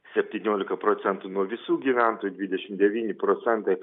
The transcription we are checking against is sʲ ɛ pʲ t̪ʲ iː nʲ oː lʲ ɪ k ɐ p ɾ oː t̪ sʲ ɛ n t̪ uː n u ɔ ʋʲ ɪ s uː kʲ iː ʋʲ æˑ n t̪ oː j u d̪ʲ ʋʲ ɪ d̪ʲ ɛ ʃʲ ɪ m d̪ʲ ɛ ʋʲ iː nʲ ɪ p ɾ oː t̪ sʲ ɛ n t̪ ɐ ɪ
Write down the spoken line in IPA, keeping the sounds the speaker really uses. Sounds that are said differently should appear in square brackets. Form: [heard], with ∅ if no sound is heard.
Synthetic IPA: sʲ ɛ pʲ t̪ʲ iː nʲ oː lʲ ɪ k ɐ p ɾ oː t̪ sʲ ɛ n t̪ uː n u ɔ ʋʲ ɪ s uː [ɡʲ] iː ʋʲ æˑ n t̪ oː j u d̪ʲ ʋʲ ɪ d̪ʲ ɛ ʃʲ ɪ m d̪ʲ ɛ ʋʲ iː nʲ ɪ p ɾ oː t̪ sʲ ɛ n t̪ ɐ ɪ